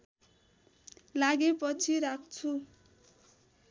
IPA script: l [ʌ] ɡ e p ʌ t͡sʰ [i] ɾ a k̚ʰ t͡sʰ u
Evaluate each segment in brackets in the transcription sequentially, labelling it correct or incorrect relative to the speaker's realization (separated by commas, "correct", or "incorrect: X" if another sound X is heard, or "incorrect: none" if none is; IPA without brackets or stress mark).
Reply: incorrect: a, correct